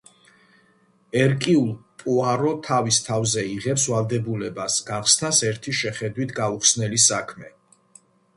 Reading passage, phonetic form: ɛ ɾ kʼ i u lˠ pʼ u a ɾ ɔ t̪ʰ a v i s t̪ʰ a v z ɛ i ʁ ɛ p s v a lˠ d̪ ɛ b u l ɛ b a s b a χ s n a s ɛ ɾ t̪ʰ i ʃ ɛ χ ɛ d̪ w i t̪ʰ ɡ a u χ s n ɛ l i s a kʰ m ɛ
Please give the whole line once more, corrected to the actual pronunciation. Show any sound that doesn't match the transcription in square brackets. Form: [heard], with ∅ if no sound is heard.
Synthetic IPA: ɛ ɾ kʼ i u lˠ pʼ u a ɾ ɔ t̪ʰ a v i s t̪ʰ a v z ɛ i ʁ ɛ p s v a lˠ d̪ ɛ b u l ɛ b a s [ɡ] a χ s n a s ɛ ɾ t̪ʰ i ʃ ɛ χ ɛ d̪ w i t̪ʰ ɡ a u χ s n ɛ l i s a kʰ m ɛ